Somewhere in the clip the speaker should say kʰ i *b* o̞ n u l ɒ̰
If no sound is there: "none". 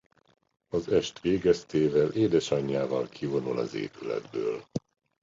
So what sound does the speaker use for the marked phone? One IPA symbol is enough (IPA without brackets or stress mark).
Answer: v